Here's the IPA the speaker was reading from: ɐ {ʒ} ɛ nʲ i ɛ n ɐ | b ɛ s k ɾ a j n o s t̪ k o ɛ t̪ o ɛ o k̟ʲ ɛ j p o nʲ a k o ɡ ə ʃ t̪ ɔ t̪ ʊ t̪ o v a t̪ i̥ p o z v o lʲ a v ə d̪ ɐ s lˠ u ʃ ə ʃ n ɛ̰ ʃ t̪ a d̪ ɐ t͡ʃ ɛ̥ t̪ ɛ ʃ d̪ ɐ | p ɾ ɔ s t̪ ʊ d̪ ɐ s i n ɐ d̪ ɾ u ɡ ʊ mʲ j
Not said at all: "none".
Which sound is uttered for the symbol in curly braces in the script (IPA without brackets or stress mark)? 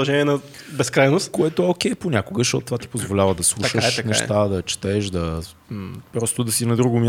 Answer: ʒ